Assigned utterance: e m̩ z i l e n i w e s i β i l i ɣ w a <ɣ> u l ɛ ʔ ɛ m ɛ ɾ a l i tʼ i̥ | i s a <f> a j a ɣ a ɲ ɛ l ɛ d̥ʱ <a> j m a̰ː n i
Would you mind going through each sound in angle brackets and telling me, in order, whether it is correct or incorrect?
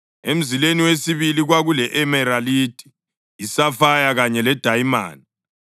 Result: correct, correct, correct

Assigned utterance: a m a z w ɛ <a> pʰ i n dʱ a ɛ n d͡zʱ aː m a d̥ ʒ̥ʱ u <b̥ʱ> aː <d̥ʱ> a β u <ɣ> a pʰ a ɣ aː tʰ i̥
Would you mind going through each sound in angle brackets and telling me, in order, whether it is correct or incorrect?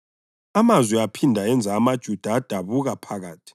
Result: correct, incorrect, correct, correct

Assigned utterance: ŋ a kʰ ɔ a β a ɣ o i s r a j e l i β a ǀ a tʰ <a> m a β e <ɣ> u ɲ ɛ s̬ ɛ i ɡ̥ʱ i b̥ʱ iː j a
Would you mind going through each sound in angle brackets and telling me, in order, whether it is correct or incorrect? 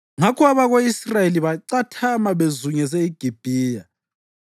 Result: correct, incorrect

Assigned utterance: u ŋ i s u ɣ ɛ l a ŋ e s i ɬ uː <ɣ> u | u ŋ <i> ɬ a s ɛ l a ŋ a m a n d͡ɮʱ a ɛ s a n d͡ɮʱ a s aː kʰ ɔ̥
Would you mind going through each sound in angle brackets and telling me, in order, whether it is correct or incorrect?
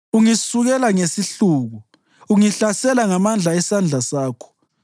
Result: correct, correct

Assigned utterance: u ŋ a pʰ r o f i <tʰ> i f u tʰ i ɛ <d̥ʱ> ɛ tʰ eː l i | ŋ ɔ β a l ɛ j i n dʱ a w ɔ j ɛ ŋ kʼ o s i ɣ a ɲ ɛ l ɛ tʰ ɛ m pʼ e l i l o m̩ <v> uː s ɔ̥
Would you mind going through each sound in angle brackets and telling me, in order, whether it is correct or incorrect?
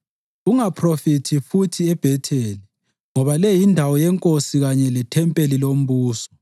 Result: correct, incorrect, incorrect

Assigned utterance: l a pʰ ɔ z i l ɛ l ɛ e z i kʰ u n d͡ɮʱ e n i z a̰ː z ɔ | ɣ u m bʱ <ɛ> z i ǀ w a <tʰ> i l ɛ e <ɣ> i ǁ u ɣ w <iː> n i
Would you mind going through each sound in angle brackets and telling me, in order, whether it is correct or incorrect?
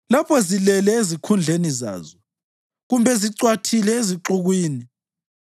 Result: correct, correct, incorrect, correct

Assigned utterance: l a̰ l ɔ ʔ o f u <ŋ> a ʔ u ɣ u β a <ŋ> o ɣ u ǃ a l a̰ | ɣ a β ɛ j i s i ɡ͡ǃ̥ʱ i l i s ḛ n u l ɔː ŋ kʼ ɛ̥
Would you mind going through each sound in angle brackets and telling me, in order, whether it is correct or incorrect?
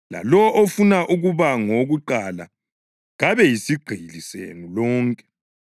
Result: incorrect, correct

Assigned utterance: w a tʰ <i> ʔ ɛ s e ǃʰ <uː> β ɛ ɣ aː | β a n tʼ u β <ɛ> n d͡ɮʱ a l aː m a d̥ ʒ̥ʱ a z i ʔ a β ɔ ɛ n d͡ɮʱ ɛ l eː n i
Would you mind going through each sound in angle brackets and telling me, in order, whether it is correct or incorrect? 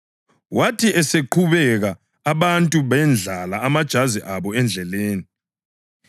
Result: correct, incorrect, correct

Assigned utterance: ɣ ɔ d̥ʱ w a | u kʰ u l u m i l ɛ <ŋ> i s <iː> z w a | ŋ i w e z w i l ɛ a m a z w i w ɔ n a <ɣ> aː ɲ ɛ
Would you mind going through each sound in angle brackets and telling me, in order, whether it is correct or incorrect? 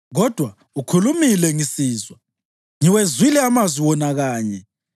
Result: correct, correct, correct

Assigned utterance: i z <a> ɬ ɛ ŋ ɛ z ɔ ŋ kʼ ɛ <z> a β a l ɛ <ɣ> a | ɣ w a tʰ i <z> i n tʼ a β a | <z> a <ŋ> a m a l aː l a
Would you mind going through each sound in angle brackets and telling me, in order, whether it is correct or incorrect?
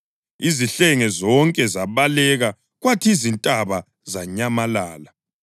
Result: incorrect, correct, correct, correct, correct, incorrect

